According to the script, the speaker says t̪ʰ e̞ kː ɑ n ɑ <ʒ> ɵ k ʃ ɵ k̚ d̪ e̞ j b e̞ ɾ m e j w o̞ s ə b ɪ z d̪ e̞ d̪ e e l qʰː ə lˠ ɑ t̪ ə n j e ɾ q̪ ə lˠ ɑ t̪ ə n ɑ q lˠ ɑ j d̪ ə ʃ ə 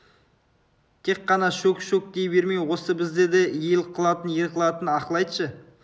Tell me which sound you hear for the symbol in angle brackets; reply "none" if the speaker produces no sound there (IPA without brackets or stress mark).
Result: ʃ